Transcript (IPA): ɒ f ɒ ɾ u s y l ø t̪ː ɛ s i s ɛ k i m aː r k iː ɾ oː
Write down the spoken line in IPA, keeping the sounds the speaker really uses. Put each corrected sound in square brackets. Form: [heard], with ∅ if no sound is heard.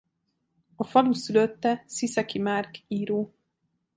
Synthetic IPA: ɒ f ɒ [l] u s y l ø t̪ː ɛ s i s ɛ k i m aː r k iː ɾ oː